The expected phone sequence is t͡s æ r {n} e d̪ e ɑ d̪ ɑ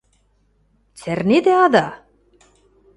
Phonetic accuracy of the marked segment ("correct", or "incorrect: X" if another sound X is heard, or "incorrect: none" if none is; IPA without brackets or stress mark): correct